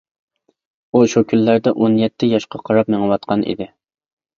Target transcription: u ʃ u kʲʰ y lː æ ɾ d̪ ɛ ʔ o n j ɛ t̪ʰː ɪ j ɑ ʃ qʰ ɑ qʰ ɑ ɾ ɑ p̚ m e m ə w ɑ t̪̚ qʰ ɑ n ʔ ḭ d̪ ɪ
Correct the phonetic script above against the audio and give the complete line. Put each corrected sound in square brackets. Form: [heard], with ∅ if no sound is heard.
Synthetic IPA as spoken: u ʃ u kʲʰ y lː æ ɾ d̪ ɛ ʔ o n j ɛ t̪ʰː ɪ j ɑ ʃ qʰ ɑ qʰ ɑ ɾ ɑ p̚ m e [ŋ] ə w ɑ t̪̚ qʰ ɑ n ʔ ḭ d̪ ɪ